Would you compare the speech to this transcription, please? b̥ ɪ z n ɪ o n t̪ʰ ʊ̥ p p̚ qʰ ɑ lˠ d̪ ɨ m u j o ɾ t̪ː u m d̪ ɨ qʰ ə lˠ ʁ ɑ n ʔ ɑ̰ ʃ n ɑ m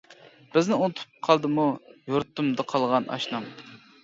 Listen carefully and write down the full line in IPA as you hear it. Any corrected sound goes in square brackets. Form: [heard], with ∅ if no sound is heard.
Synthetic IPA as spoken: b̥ ɪ z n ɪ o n t̪ʰ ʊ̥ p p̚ qʰ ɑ lˠ d̪ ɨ m u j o ɾ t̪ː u m d̪ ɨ qʰ [ɑ] lˠ ʁ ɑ n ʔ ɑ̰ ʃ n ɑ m